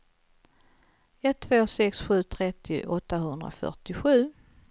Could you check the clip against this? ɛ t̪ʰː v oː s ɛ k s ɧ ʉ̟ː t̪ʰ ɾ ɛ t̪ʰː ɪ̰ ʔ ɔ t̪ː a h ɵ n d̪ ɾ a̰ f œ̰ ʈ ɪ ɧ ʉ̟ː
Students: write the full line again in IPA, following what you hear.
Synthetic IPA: ɛ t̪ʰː v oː s ɛ k s ɧ ʉ̟ː t̪ʰ ɾ ɛ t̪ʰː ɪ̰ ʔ ɔ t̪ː a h ɵ n d̪ ɾ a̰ f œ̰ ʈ ɪ ɧ ʉ̟ː